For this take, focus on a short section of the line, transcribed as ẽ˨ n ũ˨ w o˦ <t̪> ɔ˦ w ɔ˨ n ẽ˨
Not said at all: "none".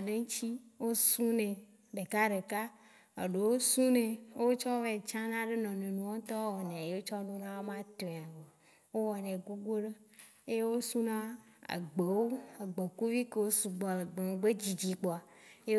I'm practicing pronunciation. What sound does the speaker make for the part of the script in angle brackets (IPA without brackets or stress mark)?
t̪